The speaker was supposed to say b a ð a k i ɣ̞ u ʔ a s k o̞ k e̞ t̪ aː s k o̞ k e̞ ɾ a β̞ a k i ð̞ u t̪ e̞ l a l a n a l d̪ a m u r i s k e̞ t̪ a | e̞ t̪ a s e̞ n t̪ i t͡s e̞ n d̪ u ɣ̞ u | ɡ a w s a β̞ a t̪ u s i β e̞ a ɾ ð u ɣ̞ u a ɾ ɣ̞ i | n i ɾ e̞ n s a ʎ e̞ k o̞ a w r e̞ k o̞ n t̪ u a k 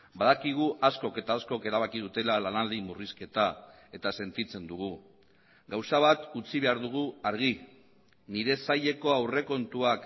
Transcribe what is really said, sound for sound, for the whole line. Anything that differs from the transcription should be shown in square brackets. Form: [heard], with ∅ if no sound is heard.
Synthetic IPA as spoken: b a ð a k i ɣ̞ u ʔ a s k o̞ k e̞ t̪ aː s k o̞ k e̞ ɾ a β̞ a k i ð̞ u t̪ e̞ l a l a n a l d̪ [i] m u r i s k e̞ t̪ a | e̞ t̪ a s e̞ n t̪ i t͡s e̞ n d̪ u ɣ̞ u | ɡ a w s a β̞ a t̪ u [t͡s] i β e̞ a ɾ ð u ɣ̞ u a ɾ ɣ̞ i | n i ɾ e̞ [∅] s a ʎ e̞ k o̞ a w r e̞ k o̞ n t̪ u a k